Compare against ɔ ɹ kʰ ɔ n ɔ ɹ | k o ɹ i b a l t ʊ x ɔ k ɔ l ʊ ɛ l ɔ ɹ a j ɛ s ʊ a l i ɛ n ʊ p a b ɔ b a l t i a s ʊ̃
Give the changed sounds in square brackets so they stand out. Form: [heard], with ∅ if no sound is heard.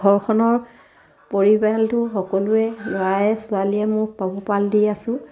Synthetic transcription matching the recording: ɔ ɹ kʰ ɔ n ɔ ɹ | [p] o ɹ i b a l t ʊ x ɔ k ɔ l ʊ ɛ l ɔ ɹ a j ɛ s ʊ a l i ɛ [m] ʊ p a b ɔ [p] a l [d] i a s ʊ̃